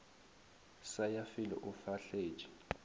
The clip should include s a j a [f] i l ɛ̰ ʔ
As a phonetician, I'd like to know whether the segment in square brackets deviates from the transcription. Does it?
no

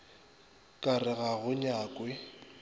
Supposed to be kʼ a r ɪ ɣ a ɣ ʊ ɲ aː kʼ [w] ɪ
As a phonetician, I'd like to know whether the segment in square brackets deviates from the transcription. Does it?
no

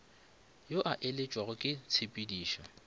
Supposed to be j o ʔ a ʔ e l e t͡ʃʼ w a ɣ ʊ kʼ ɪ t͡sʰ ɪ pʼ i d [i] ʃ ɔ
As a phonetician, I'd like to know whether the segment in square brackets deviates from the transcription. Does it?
yes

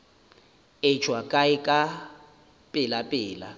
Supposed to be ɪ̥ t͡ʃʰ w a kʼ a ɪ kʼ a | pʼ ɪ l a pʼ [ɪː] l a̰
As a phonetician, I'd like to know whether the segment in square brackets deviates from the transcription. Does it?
no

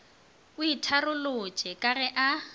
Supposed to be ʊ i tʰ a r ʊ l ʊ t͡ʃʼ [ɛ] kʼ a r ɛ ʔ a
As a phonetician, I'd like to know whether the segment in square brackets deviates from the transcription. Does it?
no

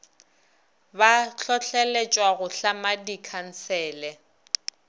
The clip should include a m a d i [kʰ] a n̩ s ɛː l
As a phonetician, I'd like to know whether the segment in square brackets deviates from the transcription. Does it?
no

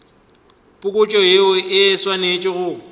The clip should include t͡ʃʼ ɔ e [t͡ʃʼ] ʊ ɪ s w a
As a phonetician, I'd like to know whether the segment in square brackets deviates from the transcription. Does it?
yes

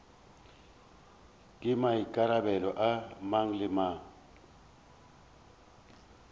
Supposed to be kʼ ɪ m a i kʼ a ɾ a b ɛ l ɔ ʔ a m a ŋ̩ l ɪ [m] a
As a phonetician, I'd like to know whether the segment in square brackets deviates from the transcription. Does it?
no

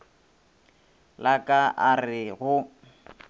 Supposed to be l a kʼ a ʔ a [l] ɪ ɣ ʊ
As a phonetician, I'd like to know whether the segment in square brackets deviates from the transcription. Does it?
yes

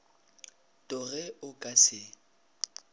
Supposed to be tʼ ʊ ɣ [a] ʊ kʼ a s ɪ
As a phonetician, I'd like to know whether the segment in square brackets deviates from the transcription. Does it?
yes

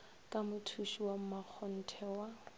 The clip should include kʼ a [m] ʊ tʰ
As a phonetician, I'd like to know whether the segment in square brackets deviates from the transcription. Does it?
no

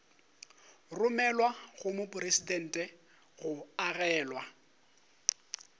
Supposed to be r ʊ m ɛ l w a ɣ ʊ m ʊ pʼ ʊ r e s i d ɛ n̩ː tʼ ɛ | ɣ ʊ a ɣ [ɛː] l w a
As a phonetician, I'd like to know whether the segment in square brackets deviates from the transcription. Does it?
no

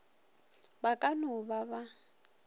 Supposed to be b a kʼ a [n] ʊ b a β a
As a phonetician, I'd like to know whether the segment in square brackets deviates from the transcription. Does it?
no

